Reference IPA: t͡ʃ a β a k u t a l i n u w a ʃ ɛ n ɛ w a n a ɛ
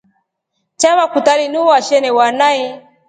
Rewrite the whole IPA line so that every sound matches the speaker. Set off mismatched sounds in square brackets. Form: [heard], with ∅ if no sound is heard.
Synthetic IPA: t͡ʃ a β a k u t a l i n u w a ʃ ɛ n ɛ w a n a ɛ